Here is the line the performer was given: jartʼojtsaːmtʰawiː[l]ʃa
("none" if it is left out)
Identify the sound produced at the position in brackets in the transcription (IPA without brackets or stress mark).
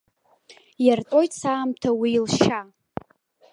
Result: l